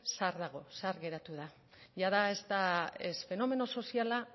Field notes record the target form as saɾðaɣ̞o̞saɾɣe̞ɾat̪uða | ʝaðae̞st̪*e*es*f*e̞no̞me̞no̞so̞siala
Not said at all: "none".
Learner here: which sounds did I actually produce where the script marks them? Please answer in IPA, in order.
a, f

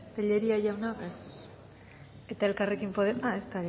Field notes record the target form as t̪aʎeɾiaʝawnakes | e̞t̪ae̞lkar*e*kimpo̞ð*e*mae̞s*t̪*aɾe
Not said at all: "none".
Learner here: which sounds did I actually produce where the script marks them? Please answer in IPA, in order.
e, e, t̪

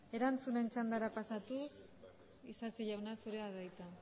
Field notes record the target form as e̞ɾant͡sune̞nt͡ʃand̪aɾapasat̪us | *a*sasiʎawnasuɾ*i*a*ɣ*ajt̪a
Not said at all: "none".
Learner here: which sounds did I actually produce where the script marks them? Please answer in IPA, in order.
i, e, ð

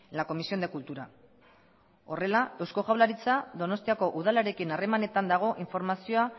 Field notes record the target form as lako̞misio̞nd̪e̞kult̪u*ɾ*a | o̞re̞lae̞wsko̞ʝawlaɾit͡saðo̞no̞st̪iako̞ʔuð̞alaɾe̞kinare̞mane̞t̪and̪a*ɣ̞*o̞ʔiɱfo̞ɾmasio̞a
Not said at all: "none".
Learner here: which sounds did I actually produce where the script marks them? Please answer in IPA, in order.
ɾ, ɣ̞

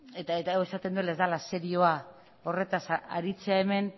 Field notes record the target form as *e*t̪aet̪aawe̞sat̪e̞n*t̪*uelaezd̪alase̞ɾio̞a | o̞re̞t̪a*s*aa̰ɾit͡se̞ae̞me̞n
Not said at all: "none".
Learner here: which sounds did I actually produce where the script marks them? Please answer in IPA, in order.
e, d̪, s

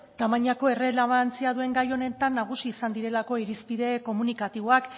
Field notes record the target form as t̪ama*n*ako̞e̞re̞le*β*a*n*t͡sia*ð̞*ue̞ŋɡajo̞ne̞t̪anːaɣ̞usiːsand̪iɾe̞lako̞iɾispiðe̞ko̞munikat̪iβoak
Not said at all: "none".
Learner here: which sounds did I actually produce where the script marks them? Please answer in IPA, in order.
ɲ, β, n, ð̞

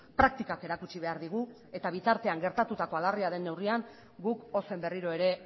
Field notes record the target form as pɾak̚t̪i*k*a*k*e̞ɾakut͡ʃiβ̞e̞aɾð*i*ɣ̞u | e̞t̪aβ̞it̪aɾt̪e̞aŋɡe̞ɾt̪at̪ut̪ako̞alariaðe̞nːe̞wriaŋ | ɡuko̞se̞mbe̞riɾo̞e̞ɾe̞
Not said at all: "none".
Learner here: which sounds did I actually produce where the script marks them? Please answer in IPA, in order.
k, k, i

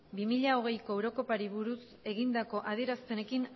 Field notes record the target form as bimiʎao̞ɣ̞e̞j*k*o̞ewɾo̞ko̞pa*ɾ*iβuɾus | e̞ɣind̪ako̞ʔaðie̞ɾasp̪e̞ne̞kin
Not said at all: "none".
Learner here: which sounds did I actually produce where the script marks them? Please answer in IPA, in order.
k, ɾ

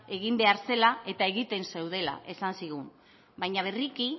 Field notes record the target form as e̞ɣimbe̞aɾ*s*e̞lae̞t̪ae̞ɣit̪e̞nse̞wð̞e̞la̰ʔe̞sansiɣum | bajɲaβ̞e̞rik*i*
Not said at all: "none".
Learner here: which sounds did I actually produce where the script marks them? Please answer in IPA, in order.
s, i

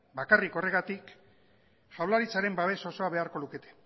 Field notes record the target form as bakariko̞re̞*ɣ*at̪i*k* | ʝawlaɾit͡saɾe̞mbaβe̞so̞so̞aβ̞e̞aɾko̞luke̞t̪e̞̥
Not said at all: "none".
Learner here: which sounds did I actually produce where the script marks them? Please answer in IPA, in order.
ɣ, k

